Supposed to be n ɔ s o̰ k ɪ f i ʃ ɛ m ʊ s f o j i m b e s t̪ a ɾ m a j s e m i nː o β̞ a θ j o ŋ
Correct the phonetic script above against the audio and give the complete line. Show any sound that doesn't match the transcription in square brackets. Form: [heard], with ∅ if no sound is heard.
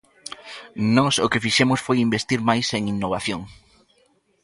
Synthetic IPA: n ɔ s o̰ k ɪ f i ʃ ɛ m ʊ s f o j i m b e s t̪ [i] ɾ m a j s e [ŋ] i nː o β̞ a θ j o ŋ